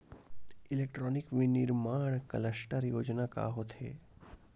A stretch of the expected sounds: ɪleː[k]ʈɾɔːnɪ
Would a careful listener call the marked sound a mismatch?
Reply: no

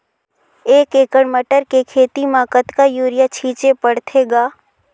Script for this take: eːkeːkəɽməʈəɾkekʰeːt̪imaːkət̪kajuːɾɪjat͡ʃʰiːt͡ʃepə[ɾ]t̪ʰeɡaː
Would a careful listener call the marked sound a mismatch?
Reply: yes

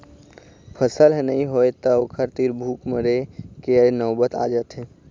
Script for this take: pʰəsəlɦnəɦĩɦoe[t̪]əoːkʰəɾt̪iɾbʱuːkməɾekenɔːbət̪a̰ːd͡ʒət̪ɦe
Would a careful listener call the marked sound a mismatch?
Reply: no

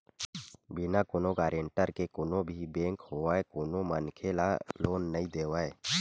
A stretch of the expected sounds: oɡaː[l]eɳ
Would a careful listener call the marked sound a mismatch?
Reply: yes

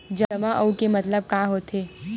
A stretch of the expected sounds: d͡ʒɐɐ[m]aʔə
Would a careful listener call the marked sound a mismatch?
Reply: no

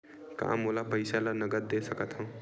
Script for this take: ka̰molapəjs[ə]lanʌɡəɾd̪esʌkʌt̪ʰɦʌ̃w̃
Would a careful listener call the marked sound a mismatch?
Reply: yes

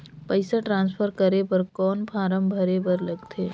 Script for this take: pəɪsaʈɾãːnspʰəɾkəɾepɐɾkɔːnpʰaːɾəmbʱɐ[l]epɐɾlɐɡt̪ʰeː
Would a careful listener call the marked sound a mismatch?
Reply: yes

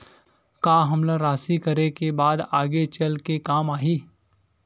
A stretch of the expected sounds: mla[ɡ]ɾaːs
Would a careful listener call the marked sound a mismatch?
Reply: yes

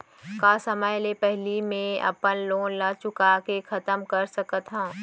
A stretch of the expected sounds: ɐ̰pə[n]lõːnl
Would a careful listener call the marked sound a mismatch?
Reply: no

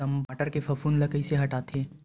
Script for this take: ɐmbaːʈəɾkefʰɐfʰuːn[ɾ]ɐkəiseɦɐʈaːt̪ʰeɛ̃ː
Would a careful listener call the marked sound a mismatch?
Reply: yes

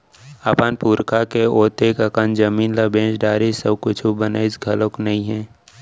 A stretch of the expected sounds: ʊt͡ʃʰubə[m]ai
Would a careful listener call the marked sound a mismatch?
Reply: yes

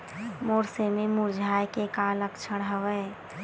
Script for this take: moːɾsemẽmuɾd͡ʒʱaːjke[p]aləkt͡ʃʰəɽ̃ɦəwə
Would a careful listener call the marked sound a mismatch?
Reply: yes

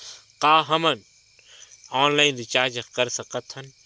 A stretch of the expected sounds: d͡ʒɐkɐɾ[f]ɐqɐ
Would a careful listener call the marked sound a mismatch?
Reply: yes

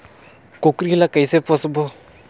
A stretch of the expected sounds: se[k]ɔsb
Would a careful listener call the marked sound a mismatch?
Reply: yes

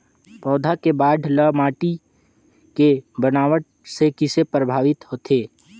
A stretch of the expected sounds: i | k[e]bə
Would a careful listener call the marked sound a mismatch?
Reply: no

